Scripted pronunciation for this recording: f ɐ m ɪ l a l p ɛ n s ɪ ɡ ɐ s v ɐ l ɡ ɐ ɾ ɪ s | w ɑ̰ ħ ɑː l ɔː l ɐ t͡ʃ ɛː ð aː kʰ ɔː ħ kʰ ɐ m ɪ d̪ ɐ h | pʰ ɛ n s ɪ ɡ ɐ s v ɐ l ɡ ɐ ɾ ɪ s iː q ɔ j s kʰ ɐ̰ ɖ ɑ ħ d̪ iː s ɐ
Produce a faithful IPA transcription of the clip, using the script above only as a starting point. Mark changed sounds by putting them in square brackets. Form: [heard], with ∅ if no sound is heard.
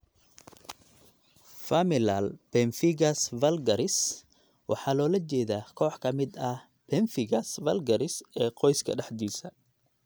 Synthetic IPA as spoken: f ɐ m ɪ l a l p ɛ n [f] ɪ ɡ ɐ s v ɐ l ɡ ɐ ɾ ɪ s | w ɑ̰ ħ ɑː l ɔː l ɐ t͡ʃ ɛː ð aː kʰ ɔː ħ kʰ ɐ m ɪ d̪ ɐ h | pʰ ɛ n [f] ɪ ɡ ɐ s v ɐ l ɡ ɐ ɾ ɪ s [ɛː] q ɔ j s kʰ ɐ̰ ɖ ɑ ħ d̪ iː s ɐ